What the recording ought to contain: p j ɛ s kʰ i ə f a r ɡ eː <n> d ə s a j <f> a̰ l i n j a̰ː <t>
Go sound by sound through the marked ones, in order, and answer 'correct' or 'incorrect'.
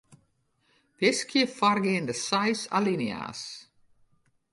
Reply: correct, incorrect, incorrect

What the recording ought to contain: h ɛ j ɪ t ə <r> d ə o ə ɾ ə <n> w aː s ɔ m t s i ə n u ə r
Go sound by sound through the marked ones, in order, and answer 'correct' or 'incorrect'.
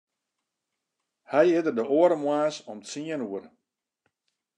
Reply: correct, incorrect

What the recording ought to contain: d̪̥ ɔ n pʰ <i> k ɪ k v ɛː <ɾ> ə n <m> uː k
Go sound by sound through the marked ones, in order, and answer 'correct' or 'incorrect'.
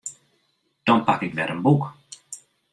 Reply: incorrect, correct, incorrect

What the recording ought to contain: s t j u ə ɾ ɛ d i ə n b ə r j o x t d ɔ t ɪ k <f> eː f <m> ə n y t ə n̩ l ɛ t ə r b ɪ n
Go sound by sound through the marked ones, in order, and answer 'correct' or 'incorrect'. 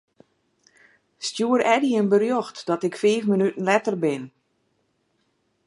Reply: correct, correct

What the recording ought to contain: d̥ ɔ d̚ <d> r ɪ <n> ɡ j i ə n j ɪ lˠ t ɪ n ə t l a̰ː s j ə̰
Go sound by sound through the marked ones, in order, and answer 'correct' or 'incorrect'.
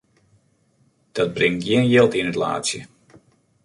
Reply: incorrect, incorrect

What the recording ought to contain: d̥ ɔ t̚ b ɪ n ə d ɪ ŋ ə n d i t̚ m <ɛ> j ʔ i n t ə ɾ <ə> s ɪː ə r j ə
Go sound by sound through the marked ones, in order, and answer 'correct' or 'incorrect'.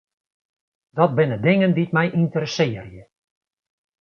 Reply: correct, correct

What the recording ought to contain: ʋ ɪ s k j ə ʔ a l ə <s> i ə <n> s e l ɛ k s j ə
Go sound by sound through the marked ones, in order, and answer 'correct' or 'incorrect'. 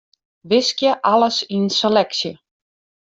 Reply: correct, correct

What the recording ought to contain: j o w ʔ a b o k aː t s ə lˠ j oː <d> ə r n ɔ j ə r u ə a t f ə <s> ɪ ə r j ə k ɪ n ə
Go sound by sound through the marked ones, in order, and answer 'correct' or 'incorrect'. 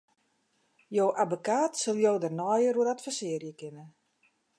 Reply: correct, correct

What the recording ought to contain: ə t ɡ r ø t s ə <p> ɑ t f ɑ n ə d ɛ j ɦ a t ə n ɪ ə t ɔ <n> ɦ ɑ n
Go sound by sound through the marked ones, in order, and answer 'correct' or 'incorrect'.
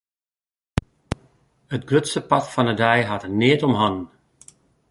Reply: correct, incorrect

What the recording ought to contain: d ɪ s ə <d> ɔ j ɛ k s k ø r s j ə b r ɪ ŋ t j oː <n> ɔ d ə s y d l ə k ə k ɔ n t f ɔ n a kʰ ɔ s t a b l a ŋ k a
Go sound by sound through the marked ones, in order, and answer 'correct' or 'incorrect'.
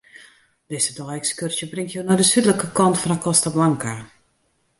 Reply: correct, correct

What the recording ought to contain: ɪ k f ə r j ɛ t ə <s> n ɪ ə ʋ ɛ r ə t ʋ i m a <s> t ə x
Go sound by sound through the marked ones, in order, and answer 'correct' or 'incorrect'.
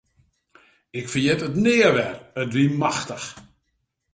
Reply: incorrect, incorrect

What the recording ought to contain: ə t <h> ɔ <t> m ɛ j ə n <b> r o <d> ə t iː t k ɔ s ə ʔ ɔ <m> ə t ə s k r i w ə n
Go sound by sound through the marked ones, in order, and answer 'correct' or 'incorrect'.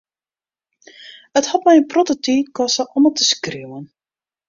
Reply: correct, correct, incorrect, incorrect, correct

